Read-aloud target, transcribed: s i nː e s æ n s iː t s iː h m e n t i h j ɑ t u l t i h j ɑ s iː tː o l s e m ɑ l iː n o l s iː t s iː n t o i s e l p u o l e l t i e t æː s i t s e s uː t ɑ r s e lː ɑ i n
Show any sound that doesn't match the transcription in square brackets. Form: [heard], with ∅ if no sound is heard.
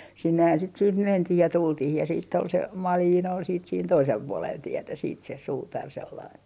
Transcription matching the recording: s i nː e [h] æ n s iː t s iː h m e n t i h j ɑ t u l t i h j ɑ s iː tː o l s e m ɑ l iː n o l s iː t s iː n t o i s e l p u o l e l t i e t [æ] s [iː] t s e s uː t ɑ r s e lː ɑ i n